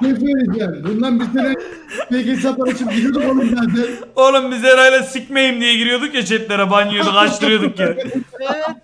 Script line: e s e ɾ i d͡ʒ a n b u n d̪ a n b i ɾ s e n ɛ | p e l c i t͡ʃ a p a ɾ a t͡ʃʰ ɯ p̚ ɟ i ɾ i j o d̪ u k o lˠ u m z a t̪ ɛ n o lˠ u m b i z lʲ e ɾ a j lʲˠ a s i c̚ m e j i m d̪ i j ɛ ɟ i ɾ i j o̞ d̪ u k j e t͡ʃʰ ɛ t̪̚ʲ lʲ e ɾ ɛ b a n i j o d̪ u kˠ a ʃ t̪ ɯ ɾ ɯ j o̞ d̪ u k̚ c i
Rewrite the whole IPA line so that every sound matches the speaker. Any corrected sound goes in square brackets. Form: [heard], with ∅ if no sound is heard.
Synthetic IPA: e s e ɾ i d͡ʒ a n b u n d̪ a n b i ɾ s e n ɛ | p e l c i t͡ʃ a p a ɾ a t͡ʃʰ ɯ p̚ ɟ i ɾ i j o d̪ u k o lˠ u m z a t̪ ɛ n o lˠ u m b i z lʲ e ɾ a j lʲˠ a s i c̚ m e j i m d̪ i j ɛ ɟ i ɾ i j o̞ d̪ u k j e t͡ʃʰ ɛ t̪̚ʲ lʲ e ɾ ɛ b a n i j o d̪ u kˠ a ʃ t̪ ɯ ɾ ɯ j o̞ d̪ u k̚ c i